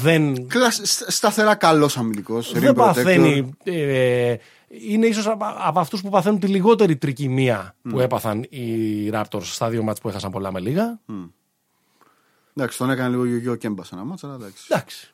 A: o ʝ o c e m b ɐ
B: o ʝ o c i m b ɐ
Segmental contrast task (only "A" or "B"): A